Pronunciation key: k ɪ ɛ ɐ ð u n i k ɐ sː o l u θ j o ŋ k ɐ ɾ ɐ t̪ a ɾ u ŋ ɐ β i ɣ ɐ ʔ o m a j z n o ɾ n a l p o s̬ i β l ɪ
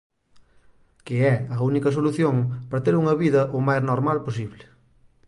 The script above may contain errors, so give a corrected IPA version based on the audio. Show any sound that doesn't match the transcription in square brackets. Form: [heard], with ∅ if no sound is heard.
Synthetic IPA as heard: k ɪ ɛ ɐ [∅] u n i k ɐ [s] o l u θ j o ŋ [p] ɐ ɾ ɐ t̪ [e] ɾ u ŋ ɐ β i [ð] ɐ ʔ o m a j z n o ɾ [m] a l p o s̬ i β l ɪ